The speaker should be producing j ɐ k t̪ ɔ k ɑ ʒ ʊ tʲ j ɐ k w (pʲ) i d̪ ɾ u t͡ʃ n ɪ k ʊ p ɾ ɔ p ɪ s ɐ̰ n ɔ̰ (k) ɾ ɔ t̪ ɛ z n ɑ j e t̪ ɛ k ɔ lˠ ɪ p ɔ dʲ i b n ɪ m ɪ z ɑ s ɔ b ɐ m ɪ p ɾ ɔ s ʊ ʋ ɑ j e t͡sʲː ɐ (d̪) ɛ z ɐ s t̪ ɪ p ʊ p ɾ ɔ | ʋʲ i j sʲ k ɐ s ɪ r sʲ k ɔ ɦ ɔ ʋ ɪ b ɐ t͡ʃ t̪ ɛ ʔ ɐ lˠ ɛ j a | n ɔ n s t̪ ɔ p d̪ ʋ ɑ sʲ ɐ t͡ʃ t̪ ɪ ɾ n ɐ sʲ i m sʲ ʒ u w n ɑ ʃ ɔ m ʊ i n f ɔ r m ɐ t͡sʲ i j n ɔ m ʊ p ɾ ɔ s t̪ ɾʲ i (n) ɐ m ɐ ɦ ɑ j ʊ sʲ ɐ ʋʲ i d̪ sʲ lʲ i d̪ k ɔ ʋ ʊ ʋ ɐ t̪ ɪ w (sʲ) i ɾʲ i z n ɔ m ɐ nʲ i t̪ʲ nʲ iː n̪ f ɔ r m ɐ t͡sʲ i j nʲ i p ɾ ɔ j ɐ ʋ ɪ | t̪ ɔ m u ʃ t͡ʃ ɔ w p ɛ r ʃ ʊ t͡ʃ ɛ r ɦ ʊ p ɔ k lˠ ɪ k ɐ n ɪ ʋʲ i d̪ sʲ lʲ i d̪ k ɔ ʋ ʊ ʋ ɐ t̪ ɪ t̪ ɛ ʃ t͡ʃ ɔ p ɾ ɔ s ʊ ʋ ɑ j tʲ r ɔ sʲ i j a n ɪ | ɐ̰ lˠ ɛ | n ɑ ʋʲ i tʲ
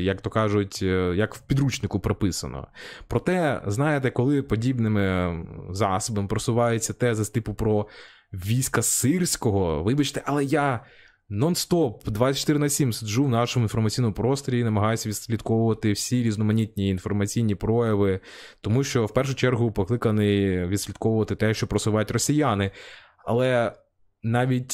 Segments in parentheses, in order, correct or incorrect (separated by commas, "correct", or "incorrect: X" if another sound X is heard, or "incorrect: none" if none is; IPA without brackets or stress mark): correct, incorrect: p, incorrect: t̪, correct, correct